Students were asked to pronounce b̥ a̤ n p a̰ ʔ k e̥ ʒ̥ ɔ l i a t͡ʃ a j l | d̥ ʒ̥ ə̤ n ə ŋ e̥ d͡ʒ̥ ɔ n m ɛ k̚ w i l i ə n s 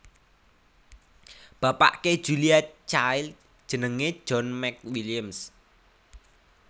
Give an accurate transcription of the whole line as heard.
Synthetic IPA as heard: b̥ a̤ p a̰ ʔ k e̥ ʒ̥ u l i a t͡ʃ a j l | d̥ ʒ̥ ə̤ n ə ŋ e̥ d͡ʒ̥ ɔ n m ɛ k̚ w i l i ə m s